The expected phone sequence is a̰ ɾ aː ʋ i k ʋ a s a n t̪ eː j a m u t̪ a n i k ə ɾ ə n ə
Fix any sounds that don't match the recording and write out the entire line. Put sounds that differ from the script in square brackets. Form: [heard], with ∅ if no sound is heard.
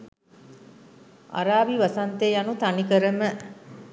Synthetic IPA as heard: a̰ ɾ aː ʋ i [∅] ʋ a s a n t̪ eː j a [n] u t̪ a n i k ə ɾ ə [m] ə